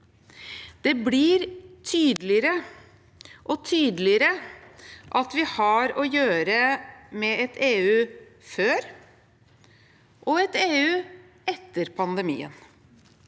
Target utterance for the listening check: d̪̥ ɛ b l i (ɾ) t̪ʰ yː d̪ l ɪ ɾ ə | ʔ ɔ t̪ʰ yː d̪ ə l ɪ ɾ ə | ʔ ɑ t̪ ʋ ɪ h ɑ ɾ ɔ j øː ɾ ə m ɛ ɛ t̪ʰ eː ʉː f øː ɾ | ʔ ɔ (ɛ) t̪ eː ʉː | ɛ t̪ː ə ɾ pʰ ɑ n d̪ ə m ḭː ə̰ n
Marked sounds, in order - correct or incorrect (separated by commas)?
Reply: correct, correct